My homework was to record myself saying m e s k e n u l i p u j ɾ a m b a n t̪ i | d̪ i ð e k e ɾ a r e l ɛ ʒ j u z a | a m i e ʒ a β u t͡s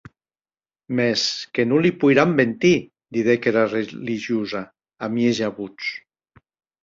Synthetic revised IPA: m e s k e n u l i p u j ɾ a m b e n t̪ i | d̪ i ð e k e ɾ a r e l i ʒ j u z a | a m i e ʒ a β u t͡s